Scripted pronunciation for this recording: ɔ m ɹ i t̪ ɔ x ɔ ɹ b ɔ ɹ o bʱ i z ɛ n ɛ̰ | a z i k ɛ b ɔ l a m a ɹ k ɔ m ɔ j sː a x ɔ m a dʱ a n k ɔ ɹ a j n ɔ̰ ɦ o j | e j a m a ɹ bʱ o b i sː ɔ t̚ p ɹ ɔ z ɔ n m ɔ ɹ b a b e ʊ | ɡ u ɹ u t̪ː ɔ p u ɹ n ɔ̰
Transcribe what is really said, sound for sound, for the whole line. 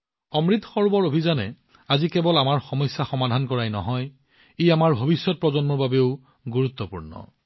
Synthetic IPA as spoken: ɔ m ɹ i t̪ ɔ x ɔ ɹ b ɔ ɹ o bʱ i z a n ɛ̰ | a z i k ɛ b ɔ l a m a ɹ x ɔ m ɔ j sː a x ɔ m a dʱ a n k ɔ ɹ a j n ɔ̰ ɦ ɔ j | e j a m a ɹ bʱ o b i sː ɔ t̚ p ɹ ɔ z ɔ n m ɔ ɹ b a b e ʊ | ɡ u ɹ u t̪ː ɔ p u ɹ n ɔ̰